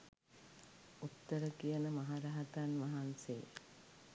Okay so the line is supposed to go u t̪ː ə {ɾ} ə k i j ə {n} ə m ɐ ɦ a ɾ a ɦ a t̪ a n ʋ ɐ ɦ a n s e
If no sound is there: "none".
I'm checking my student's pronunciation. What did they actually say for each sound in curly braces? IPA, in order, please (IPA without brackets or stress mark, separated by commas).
ɾ, n